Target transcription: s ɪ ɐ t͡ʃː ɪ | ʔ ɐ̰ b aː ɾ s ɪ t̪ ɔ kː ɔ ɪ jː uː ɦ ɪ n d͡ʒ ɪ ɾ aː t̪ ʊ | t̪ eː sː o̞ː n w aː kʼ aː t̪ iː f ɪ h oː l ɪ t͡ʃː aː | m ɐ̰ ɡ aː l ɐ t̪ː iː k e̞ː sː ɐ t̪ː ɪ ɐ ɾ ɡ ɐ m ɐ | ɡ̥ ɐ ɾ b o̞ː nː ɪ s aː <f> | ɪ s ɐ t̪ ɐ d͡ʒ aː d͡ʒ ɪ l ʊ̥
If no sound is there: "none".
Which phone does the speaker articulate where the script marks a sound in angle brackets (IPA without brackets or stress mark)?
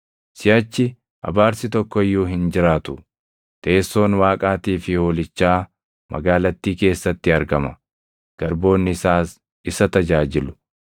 s